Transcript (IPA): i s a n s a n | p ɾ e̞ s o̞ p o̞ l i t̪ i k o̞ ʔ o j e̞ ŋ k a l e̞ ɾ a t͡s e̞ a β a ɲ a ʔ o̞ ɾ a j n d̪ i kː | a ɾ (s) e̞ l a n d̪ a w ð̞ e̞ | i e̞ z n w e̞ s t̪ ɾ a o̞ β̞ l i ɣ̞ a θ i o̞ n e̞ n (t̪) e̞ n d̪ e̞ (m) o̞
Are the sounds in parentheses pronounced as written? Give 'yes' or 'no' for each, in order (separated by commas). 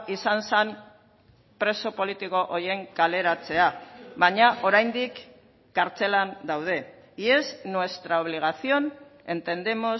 no, yes, yes